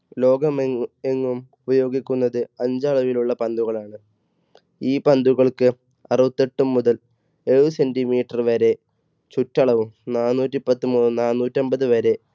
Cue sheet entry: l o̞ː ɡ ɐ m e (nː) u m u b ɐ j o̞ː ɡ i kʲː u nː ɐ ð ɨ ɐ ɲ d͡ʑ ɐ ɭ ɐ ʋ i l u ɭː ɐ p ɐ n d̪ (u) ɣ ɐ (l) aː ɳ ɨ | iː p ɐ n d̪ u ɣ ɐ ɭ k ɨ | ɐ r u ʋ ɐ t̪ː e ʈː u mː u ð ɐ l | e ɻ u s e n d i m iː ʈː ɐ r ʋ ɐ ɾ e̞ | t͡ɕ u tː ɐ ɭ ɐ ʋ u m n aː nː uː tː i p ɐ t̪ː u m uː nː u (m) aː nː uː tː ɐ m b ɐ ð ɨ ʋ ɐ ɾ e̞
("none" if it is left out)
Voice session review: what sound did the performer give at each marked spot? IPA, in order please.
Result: ŋː, u, ɭ, n

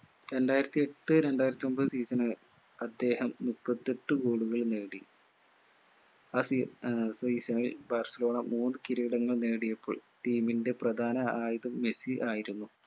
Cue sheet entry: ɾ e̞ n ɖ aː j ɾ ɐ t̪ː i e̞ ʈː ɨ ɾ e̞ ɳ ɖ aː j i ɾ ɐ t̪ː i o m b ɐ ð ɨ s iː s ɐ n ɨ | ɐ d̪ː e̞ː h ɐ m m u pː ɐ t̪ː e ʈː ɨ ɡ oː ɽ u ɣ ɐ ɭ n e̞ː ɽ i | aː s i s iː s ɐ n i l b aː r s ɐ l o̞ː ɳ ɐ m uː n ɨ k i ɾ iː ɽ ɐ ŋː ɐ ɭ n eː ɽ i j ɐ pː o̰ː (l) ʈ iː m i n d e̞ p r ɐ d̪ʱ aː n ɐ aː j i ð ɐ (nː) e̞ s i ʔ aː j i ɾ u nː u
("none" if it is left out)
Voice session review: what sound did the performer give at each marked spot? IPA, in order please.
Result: ɭ, mː

